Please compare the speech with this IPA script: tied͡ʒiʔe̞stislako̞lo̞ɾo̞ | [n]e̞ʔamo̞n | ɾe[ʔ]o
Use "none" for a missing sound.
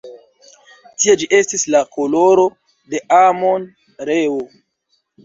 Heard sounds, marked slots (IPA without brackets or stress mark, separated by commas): d, none